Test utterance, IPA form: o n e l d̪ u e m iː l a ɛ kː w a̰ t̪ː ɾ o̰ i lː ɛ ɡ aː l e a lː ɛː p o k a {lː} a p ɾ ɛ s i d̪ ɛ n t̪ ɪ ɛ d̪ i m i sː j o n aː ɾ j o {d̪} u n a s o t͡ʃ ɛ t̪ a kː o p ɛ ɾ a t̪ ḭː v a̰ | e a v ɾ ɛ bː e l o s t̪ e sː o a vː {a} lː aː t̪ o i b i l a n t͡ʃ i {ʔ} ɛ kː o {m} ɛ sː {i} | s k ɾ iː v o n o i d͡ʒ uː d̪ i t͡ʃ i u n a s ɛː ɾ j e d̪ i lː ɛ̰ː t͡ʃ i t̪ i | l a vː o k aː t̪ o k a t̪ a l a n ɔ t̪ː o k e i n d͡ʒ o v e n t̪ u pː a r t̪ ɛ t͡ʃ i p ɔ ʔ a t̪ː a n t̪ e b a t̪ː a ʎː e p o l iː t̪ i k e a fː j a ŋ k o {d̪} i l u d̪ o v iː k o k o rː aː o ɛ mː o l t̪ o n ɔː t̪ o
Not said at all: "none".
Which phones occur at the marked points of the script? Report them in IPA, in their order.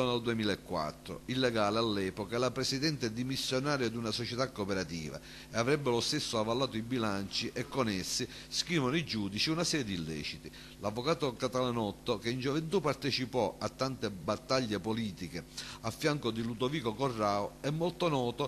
l, d̪, a, ʔ, n, i, d̪

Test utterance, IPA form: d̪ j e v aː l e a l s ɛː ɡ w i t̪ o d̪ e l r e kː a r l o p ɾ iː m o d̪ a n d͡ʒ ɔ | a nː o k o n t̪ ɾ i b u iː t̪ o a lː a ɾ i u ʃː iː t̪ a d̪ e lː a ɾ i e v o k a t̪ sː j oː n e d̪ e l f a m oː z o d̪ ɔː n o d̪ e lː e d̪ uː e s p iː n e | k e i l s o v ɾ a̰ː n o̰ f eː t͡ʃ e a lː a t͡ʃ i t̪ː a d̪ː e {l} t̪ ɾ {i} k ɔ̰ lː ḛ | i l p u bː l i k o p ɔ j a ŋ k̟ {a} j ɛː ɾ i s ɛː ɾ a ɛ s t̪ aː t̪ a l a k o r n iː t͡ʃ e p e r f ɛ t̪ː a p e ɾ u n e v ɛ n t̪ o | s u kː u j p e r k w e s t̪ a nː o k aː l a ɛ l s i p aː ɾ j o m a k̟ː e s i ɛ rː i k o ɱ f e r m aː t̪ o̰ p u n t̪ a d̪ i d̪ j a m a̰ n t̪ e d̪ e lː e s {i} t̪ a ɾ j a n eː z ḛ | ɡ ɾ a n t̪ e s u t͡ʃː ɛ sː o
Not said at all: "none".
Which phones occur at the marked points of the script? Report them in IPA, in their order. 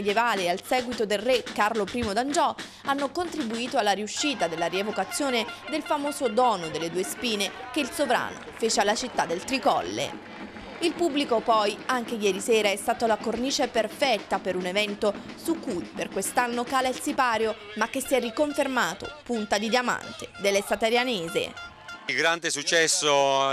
l, i, e, a

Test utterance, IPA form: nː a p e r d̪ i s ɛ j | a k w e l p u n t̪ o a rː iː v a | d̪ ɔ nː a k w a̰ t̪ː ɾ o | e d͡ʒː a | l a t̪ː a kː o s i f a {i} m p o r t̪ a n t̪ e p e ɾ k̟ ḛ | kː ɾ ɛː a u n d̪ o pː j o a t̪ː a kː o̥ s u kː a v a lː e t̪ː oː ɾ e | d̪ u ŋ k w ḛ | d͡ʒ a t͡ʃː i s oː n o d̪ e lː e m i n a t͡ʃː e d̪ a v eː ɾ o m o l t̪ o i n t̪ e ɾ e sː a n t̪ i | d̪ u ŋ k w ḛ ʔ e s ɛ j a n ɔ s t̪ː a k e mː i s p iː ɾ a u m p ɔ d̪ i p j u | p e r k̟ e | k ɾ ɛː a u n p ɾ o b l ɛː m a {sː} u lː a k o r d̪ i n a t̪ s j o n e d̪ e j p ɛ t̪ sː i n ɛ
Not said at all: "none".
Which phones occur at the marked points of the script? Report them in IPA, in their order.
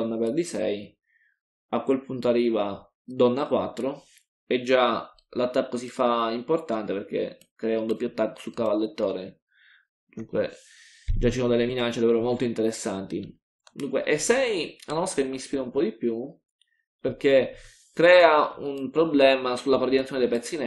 i, s

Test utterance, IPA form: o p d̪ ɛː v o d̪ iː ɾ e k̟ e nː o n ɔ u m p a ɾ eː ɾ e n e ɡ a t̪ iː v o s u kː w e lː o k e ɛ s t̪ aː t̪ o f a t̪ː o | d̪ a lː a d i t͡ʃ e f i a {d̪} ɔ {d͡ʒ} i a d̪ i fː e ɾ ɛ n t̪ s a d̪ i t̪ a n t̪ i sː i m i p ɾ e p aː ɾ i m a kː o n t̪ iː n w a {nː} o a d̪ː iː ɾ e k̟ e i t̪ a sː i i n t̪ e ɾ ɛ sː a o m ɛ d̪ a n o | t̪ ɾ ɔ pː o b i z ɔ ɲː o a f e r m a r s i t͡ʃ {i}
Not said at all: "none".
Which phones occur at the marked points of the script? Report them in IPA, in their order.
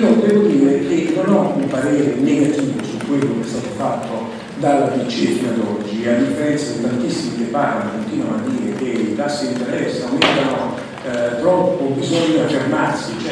d̪, d͡ʒː, n, ɛ

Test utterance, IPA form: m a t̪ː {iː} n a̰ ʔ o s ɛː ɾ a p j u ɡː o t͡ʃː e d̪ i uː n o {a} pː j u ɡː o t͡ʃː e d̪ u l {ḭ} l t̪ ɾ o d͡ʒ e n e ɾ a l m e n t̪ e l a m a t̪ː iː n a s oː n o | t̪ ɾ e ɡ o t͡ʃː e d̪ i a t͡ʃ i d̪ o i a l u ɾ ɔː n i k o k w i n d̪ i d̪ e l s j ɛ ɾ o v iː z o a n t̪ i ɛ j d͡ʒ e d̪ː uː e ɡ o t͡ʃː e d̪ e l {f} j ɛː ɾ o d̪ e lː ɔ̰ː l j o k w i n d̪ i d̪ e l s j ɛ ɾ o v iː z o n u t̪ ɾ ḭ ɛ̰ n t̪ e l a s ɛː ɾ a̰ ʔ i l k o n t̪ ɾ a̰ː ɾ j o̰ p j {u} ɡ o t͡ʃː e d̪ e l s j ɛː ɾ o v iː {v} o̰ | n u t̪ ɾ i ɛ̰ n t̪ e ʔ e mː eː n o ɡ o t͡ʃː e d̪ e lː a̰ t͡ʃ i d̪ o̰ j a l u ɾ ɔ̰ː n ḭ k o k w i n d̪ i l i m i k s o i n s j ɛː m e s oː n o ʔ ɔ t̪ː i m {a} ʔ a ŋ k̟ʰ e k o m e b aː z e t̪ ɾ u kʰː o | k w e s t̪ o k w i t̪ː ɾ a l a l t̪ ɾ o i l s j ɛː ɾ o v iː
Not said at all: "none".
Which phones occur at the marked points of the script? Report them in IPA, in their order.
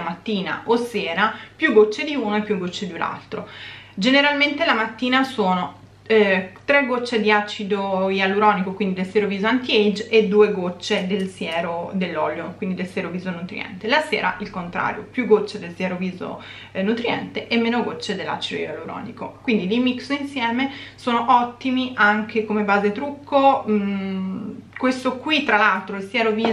iː, e, a̰, s, u, z, i

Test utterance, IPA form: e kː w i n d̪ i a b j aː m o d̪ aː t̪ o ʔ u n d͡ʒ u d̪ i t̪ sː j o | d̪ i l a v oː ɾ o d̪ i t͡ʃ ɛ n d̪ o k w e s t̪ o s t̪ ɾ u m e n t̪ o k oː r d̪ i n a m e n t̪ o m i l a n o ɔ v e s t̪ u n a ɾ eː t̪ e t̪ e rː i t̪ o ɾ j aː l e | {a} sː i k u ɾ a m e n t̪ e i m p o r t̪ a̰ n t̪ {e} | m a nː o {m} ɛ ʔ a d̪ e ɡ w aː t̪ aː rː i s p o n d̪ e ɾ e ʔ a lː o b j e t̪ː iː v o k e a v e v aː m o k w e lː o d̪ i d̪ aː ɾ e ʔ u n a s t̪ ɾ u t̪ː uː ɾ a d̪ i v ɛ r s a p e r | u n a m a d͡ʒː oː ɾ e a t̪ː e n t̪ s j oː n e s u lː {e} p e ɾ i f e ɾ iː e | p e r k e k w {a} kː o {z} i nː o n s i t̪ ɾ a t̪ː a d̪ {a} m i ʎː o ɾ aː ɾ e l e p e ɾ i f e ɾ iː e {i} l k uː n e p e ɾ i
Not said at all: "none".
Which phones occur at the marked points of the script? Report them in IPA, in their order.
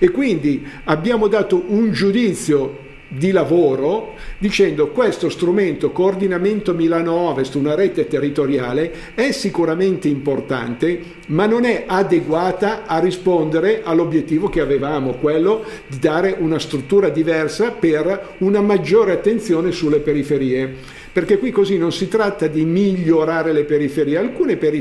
ɛ, e, n, e, i, z, i, a

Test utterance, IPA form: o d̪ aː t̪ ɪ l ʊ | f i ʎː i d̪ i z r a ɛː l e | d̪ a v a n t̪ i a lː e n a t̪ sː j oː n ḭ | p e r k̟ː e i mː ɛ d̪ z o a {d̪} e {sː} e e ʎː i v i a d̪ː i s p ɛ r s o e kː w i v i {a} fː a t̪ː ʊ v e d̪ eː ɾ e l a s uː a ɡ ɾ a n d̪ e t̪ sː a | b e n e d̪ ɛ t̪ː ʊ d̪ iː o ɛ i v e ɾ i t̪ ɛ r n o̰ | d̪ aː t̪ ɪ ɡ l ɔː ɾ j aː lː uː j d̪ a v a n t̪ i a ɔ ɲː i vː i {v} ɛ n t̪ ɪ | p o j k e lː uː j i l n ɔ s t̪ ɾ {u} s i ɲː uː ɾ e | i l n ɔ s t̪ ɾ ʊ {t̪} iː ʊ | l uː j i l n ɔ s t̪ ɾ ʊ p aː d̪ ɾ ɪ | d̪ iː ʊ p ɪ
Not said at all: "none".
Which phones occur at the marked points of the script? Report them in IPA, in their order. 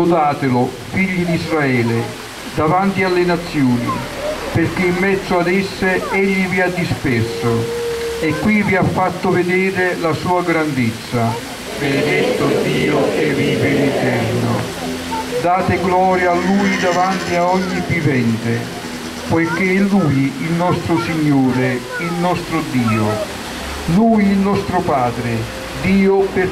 d̪, sː, a, v, ʊ, d̪

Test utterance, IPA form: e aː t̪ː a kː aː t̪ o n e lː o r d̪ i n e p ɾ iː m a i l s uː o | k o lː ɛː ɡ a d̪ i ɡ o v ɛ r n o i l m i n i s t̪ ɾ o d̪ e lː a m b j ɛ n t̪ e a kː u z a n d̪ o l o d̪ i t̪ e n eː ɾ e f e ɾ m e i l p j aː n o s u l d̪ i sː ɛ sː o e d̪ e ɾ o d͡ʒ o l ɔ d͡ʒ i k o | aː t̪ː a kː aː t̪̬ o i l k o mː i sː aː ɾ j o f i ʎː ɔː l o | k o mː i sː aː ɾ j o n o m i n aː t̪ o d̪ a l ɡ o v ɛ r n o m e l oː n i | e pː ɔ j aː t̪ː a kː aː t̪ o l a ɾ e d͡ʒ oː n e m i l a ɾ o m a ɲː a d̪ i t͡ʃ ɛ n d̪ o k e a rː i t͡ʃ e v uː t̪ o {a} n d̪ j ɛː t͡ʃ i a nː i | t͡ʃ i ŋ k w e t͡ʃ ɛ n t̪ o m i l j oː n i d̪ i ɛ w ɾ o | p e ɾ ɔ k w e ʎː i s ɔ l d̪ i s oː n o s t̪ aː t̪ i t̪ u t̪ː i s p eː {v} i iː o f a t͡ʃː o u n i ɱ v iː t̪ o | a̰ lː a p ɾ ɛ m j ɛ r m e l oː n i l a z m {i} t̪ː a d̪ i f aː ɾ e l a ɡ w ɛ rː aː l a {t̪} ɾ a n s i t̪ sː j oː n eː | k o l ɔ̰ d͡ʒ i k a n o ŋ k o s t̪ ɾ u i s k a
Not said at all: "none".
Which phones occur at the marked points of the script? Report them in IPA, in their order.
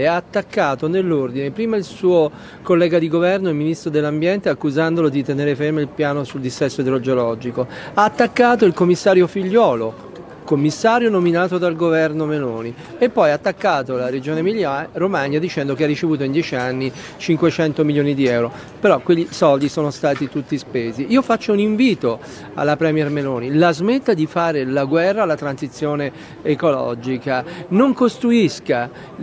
i, z, e, t̪

